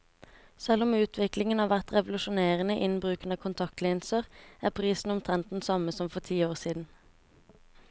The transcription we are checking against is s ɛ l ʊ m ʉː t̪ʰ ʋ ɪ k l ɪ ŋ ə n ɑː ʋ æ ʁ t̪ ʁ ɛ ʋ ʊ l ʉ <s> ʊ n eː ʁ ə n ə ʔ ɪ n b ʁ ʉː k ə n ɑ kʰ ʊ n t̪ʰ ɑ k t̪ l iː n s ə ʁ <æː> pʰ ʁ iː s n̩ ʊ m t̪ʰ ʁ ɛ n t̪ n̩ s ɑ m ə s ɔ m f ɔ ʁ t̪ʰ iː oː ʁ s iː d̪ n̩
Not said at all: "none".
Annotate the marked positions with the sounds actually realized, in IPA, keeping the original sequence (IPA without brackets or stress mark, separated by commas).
ʃ, æː